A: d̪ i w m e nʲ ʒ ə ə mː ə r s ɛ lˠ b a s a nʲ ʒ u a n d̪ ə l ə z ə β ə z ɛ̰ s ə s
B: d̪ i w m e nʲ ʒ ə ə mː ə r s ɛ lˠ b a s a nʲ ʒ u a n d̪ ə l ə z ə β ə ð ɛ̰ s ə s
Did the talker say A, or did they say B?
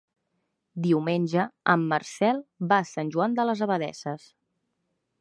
B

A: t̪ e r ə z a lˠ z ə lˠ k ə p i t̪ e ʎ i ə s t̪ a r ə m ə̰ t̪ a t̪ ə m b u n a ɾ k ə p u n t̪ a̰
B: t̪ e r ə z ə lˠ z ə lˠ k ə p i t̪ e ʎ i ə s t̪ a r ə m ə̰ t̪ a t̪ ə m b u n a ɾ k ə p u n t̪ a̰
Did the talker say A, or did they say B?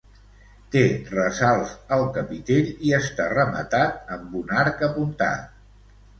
A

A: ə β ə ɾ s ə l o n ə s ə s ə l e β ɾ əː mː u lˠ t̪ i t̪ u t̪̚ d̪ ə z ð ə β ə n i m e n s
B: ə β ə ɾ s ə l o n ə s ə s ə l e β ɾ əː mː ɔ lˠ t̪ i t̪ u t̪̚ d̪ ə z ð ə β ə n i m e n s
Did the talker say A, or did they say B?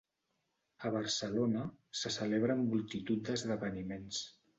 A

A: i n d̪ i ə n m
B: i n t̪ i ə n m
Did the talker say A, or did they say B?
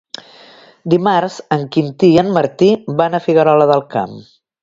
B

